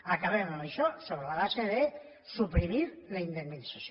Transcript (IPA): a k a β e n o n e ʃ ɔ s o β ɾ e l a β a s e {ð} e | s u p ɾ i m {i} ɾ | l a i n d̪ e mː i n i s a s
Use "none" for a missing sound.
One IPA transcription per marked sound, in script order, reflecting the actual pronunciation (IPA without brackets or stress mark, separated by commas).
ð, i